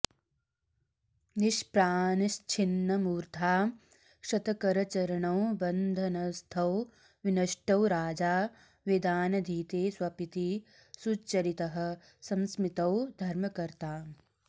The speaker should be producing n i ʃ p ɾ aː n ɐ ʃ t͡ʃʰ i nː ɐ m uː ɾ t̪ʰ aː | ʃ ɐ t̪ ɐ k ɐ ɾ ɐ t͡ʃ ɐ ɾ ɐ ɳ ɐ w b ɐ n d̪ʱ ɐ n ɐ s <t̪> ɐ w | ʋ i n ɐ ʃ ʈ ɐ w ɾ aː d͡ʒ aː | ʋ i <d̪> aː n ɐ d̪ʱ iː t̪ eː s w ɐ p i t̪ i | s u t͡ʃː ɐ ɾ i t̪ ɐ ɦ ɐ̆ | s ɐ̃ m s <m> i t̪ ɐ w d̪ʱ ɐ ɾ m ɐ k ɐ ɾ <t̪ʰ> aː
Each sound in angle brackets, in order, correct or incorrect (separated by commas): incorrect, correct, correct, incorrect